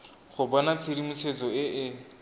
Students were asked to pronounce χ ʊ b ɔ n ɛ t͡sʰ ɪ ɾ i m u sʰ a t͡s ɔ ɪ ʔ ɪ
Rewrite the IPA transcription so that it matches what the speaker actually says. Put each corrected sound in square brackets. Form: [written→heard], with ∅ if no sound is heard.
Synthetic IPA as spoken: χ ʊ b ɔ n [ɛ→a] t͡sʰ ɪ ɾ i m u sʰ [a→e] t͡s ɔ ɪ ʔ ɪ